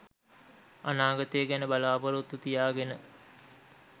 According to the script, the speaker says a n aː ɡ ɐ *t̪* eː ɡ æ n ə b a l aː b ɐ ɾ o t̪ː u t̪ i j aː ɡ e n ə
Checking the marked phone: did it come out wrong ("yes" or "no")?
no